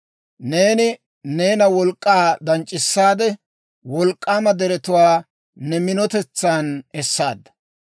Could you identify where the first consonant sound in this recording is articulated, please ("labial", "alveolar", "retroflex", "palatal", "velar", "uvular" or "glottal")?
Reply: alveolar